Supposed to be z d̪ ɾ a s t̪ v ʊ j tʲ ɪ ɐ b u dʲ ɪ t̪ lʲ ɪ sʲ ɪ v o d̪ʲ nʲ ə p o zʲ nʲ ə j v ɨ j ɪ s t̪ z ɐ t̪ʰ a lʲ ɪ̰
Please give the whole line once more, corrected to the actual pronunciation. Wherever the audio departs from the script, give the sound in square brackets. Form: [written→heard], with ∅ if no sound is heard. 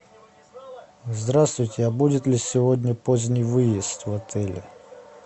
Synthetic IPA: z d̪ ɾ a s t̪ v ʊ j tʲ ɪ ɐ b u dʲ ɪ t̪ lʲ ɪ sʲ ɪ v o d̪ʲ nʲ ə p o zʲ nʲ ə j v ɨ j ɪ s t̪ [z→v] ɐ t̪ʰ [a→ɛ] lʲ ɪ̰